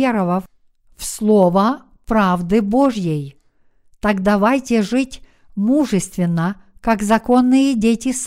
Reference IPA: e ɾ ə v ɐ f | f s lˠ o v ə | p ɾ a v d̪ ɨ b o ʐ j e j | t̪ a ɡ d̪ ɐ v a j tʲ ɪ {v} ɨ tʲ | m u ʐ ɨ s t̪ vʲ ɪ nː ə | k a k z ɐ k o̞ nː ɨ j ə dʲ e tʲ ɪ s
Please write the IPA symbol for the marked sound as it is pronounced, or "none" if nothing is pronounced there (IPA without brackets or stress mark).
ʐ